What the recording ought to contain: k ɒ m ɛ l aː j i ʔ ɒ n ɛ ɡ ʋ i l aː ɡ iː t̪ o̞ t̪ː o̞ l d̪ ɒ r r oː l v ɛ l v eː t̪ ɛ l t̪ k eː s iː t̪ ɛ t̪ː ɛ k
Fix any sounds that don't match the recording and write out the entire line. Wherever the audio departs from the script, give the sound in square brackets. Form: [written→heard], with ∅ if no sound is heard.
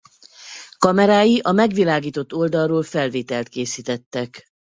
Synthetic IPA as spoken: k ɒ m ɛ [l→ɾ] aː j i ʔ ɒ [n→m] ɛ ɡ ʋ i l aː ɡ iː t̪ o̞ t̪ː o̞ l d̪ ɒ r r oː l [v→f] ɛ l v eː t̪ ɛ l t̪ k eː s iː t̪ ɛ t̪ː ɛ k